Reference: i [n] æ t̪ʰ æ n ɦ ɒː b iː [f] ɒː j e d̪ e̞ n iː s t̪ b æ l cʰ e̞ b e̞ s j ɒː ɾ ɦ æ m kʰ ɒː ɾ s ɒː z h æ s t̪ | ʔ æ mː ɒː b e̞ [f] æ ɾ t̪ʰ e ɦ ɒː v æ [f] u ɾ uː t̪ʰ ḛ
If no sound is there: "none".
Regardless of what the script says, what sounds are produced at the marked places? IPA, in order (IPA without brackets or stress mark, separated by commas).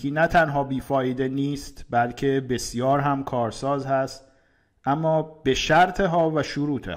n, f, ʃ, ʃ